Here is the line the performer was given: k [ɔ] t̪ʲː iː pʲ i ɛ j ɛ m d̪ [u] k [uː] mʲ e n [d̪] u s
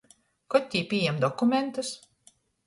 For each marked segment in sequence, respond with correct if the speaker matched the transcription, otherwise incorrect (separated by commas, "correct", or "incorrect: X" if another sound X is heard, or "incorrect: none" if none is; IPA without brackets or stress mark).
correct, incorrect: ɔ, incorrect: u, incorrect: t̪